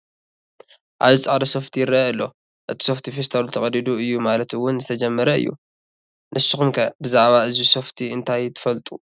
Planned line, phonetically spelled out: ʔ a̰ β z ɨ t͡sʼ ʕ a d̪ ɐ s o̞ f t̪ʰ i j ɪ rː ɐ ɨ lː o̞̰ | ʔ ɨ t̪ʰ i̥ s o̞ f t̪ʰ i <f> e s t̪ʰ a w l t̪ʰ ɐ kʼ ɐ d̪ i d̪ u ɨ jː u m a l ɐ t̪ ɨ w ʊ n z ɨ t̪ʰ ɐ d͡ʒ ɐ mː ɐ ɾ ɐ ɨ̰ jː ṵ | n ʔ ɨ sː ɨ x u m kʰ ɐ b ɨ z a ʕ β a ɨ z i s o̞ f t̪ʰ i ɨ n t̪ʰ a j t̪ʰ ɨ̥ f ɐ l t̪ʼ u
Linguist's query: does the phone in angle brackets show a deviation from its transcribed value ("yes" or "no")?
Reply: no